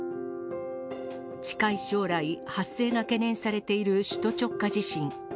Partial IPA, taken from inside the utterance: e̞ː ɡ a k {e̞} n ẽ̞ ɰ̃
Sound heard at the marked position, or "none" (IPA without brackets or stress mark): e̞